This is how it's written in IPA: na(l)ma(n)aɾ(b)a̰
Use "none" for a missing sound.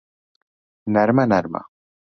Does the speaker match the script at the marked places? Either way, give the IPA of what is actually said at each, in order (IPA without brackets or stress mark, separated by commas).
ɾ, n, m